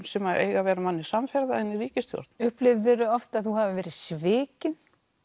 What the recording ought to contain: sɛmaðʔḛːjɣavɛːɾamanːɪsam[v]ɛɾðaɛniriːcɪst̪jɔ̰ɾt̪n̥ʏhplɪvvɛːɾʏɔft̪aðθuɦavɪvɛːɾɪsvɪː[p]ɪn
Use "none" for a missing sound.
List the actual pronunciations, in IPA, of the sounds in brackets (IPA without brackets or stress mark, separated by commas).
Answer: f, c